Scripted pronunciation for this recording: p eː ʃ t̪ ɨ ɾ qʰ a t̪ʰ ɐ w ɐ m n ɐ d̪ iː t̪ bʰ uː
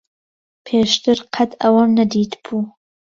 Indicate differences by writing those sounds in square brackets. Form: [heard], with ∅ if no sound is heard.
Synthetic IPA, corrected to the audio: [pʰ] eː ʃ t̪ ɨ ɾ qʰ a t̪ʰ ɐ w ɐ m n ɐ d̪ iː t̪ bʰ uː

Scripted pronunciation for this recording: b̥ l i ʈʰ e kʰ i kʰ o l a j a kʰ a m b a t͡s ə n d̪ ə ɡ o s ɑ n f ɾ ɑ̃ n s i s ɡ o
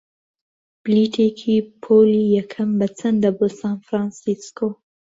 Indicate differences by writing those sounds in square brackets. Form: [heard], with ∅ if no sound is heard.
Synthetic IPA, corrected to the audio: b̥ l i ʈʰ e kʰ i [pʰ] o l [i] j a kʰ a m b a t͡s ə n d̪ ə [b] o s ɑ n f ɾ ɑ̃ n s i s [k] o

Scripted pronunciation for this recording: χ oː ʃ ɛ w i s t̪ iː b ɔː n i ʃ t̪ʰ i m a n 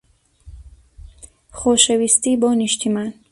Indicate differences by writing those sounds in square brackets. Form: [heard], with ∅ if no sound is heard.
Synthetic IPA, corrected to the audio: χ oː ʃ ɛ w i s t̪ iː b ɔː n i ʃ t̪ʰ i m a n

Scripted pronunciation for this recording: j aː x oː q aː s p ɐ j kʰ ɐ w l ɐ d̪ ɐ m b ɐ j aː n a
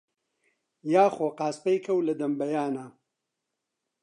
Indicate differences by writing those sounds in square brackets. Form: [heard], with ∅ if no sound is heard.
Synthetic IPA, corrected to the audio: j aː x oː q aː s p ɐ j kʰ ɐ w l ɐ d̪ ɐ m b ɐ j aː n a

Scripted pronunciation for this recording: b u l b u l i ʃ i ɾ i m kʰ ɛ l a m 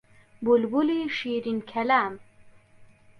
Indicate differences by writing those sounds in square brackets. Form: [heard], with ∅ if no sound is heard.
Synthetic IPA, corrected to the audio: b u l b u l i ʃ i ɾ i [n] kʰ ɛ l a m

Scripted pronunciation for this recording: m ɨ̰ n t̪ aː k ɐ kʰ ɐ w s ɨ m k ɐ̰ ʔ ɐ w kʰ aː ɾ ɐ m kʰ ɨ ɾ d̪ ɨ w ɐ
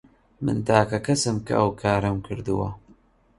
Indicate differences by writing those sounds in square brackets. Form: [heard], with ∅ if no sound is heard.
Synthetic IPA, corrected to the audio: m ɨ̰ n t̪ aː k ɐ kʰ ɐ [∅] s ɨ m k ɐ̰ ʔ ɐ w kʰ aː ɾ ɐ m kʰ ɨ ɾ d̪ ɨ w ɐ

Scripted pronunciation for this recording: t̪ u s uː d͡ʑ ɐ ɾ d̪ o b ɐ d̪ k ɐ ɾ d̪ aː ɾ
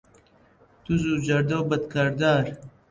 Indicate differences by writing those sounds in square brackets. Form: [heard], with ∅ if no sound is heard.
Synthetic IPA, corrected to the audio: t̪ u [z] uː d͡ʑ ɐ ɾ d̪ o b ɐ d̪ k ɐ ɾ d̪ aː ɾ

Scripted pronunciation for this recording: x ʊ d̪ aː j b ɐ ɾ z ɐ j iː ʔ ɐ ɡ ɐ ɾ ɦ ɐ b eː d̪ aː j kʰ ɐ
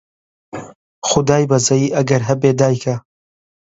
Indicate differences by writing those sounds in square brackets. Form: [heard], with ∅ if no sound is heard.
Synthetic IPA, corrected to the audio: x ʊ d̪ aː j b ɐ [∅] z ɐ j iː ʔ ɐ ɡ ɐ ɾ ɦ ɐ b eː d̪ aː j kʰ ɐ

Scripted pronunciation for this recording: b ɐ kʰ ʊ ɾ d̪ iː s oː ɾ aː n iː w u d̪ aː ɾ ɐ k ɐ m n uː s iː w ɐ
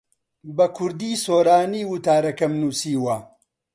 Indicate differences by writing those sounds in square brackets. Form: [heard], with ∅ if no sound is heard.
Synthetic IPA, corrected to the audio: b ɐ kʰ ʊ ɾ d̪ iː s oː ɾ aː n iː w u [t̪] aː ɾ ɐ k ɐ m n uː s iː w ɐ

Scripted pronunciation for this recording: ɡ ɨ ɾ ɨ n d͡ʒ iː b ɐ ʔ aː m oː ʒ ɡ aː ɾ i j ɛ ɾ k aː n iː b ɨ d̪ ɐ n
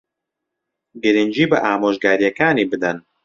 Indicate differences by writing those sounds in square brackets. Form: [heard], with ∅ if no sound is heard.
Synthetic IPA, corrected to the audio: ɡ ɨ ɾ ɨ n d͡ʒ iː b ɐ ʔ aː m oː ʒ ɡ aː ɾ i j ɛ [∅] k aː n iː b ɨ d̪ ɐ n

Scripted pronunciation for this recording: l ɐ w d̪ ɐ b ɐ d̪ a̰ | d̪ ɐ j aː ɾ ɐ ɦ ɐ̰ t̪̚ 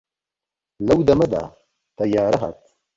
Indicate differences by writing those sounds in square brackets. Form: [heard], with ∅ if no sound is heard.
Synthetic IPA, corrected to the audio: l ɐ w d̪ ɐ [m] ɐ d̪ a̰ | [t̪] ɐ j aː ɾ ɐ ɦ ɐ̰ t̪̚

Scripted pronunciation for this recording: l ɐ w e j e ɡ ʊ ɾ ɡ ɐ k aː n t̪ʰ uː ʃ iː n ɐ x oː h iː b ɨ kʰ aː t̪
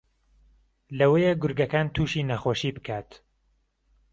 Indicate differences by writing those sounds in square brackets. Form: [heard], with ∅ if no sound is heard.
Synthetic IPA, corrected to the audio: l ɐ w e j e ɡ ʊ ɾ ɡ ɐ k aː n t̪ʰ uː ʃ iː n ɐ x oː [ʃ] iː b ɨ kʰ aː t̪

